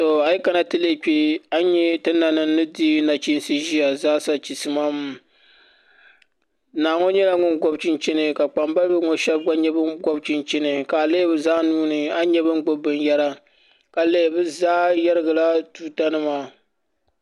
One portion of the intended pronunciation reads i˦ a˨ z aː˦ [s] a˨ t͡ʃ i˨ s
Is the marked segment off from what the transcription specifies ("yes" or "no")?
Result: no